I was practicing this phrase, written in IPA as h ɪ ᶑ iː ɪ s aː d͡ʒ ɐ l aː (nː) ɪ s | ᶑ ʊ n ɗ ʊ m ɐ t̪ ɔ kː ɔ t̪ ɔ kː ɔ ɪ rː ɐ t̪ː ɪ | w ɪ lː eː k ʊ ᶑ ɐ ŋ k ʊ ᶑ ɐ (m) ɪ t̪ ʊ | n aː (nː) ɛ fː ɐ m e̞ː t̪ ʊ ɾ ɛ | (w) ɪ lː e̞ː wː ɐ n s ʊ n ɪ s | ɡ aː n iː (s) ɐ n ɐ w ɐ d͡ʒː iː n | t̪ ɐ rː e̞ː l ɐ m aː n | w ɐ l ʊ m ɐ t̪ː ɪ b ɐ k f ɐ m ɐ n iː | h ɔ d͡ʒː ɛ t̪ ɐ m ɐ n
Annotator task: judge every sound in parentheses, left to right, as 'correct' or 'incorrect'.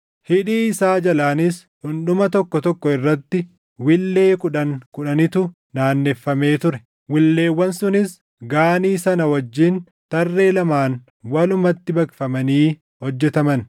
incorrect, incorrect, correct, correct, correct

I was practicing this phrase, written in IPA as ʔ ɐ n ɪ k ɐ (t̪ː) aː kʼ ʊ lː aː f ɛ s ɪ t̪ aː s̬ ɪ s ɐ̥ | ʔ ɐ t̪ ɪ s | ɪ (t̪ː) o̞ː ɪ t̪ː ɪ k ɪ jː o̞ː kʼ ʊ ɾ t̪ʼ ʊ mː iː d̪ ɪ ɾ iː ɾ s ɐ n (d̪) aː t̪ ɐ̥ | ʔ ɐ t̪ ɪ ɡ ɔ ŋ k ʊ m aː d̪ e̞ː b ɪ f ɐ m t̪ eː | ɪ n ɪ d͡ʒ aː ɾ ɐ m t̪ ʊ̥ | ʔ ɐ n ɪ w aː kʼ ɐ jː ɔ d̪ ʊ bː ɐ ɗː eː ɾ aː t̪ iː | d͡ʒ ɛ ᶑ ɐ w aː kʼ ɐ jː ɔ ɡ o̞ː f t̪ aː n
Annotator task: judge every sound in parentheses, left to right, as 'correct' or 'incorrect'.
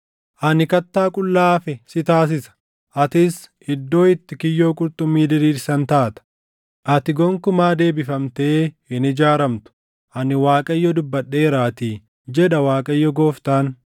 correct, incorrect, incorrect

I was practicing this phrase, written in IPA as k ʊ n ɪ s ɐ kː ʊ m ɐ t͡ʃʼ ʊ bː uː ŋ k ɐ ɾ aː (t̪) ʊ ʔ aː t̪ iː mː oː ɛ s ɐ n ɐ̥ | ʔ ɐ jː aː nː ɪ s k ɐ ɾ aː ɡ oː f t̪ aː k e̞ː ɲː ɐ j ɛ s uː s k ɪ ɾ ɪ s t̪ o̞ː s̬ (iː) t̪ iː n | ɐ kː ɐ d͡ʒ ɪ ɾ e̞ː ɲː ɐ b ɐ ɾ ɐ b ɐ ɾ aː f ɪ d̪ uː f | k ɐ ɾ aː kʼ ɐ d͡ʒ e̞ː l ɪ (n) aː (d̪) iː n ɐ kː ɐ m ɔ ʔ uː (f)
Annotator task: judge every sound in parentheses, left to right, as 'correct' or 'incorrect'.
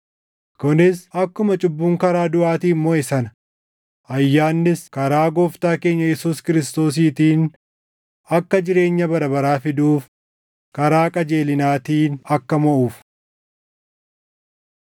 incorrect, correct, correct, incorrect, correct

